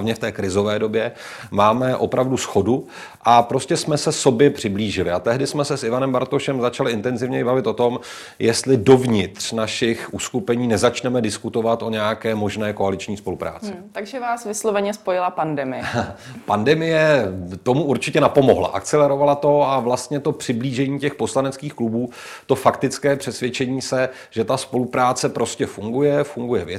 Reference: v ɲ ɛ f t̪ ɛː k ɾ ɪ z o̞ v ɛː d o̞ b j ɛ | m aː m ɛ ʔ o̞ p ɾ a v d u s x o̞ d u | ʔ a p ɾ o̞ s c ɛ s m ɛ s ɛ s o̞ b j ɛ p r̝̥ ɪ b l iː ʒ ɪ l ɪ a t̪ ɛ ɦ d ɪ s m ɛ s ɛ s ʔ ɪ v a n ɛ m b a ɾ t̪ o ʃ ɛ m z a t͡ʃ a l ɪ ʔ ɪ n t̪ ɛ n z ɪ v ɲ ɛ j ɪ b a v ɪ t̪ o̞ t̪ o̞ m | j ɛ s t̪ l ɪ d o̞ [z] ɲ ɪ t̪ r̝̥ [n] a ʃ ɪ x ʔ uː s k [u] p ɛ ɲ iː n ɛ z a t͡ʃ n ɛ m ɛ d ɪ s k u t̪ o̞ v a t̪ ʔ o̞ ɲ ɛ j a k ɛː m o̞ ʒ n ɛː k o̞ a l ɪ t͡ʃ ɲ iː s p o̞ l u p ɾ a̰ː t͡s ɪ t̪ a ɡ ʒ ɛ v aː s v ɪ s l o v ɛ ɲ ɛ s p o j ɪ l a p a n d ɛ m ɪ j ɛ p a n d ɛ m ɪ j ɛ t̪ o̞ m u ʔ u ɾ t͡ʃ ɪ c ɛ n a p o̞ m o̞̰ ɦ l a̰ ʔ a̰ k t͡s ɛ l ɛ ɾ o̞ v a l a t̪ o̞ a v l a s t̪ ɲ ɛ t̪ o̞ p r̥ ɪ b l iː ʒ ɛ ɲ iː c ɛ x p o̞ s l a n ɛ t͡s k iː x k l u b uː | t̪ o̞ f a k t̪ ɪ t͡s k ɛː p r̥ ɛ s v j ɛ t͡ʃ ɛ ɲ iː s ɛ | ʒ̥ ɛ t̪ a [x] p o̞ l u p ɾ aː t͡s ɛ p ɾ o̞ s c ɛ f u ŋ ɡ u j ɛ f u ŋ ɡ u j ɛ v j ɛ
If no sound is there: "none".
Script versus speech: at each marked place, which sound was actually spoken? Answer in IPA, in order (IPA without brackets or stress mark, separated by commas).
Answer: v, n, u, s